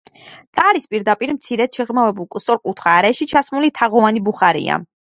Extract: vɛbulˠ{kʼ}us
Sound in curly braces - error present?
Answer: no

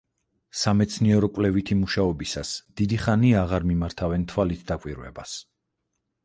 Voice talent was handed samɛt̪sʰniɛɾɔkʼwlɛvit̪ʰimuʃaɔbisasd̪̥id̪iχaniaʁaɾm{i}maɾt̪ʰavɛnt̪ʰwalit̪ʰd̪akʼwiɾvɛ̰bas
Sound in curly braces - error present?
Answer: no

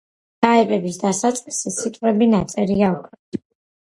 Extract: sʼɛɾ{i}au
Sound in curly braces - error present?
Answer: no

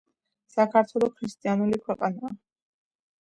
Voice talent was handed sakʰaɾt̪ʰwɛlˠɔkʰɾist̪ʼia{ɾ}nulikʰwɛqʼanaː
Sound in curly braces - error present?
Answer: yes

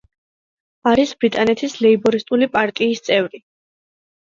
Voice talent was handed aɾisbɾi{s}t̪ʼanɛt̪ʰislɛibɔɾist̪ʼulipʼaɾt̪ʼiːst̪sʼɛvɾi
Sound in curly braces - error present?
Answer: yes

